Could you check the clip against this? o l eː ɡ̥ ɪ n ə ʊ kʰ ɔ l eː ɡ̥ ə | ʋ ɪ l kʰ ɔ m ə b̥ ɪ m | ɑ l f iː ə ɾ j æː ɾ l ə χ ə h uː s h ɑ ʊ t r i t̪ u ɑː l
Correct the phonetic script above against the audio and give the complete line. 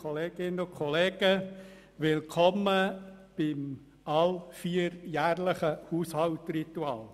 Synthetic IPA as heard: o l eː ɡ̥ ɪ n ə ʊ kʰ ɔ l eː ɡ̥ ə | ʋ ɪ l kʰ ɔ m ə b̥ ɪ m | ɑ l f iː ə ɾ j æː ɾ l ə χ ə h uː s h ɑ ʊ t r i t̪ u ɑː l